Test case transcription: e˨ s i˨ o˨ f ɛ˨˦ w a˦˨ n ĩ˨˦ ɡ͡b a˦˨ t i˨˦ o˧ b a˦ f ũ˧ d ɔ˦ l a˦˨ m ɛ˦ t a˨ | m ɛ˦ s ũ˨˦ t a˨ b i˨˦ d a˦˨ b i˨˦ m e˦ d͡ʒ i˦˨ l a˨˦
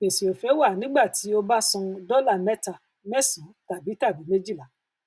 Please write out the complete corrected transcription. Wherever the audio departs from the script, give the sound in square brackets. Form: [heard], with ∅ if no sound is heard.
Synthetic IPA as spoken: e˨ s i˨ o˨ f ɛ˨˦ w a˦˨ n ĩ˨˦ ɡ͡b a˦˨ t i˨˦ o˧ b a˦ [s] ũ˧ d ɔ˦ l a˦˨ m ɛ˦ t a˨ | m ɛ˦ s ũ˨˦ t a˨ b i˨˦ [t] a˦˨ b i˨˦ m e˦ d͡ʒ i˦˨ l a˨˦